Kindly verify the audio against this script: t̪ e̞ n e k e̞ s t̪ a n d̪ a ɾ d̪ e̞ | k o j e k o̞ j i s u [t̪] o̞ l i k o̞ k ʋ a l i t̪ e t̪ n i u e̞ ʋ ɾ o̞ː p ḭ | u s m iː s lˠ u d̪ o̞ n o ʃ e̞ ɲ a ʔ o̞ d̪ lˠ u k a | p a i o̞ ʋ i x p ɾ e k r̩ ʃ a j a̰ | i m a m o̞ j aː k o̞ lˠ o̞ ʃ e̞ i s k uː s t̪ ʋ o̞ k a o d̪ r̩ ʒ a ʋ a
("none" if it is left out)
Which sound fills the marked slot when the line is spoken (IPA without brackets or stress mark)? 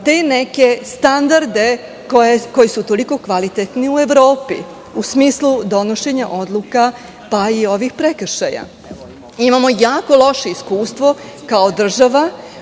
t̪